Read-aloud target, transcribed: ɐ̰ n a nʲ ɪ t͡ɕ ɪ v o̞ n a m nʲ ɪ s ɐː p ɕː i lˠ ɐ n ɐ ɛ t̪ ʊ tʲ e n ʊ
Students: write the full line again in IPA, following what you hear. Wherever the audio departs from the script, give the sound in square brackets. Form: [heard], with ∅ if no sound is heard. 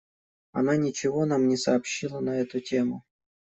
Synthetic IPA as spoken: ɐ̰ n a nʲ ɪ t͡ɕ ɪ v o̞ n a m nʲ ɪ s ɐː p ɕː i lˠ [ə] n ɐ ɛ t̪ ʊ tʲ e [m] ʊ